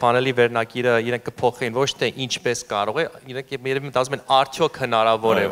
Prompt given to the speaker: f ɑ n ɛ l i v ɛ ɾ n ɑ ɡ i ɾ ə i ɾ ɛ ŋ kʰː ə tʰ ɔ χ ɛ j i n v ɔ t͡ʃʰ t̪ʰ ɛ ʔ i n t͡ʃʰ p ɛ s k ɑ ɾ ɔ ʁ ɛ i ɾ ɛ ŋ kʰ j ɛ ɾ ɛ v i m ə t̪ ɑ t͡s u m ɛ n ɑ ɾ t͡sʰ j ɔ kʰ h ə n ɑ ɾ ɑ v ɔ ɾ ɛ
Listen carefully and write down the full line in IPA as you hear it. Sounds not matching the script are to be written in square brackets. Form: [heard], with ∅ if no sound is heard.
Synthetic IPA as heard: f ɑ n ɛ l i v ɛ ɾ n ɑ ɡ i ɾ ə i ɾ ɛ ŋ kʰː ə [pʰ] ɔ χ ɛ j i n v ɔ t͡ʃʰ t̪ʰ ɛ ʔ i n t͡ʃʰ p ɛ s k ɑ ɾ ɔ ʁ ɛ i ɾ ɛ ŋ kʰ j ɛ ɾ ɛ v i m ə t̪ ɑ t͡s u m ɛ n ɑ ɾ t͡sʰ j ɔ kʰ h ə n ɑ ɾ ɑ v ɔ ɾ ɛ